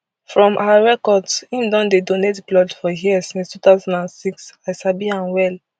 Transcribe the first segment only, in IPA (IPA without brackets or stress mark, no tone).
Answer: f